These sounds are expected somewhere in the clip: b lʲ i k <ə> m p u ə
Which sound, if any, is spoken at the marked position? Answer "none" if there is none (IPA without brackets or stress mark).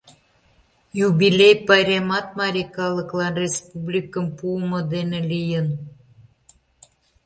ə